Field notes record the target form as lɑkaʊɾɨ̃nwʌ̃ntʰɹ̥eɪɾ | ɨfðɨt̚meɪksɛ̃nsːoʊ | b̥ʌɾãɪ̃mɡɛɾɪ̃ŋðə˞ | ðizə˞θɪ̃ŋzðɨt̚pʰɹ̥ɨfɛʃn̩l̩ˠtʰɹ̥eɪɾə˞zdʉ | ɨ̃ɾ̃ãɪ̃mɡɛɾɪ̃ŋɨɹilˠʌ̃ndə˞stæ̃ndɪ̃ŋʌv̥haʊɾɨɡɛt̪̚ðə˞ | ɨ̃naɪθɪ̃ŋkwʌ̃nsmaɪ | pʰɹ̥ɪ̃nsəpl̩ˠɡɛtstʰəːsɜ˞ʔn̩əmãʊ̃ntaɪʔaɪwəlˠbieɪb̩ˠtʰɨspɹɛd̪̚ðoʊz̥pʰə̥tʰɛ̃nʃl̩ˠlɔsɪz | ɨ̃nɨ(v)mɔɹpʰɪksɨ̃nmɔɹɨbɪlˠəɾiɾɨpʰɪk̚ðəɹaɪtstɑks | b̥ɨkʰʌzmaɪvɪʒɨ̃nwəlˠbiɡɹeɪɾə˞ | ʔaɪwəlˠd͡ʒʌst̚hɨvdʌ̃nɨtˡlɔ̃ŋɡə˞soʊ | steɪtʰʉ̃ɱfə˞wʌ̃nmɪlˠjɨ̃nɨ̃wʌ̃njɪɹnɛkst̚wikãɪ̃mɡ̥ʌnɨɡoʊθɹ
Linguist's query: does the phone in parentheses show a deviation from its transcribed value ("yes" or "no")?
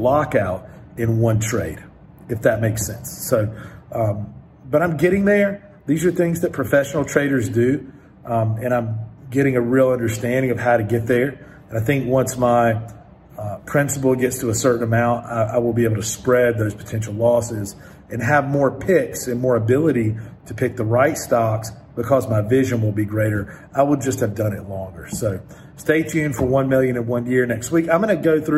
no